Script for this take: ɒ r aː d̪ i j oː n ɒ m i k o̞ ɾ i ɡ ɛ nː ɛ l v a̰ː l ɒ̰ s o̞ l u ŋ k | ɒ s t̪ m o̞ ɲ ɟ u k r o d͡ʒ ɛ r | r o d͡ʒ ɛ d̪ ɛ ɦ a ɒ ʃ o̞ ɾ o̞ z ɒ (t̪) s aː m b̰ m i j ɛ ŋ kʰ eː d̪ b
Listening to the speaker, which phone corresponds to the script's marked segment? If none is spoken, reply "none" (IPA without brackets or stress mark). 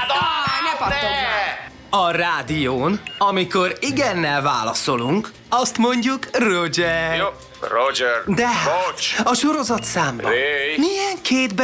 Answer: t̪